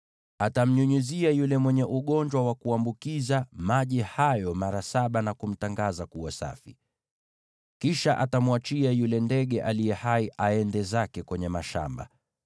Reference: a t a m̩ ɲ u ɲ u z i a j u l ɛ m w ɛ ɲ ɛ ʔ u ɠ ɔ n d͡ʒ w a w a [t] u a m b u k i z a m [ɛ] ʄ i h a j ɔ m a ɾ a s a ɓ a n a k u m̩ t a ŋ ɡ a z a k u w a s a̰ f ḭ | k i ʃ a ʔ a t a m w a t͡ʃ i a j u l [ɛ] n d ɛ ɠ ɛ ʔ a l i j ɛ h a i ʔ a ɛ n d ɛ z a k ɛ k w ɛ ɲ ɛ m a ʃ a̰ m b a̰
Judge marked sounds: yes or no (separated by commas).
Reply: no, no, yes